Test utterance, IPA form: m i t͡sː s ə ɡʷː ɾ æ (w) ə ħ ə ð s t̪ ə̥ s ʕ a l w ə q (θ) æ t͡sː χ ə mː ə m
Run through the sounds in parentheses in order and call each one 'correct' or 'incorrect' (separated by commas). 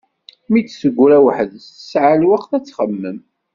correct, correct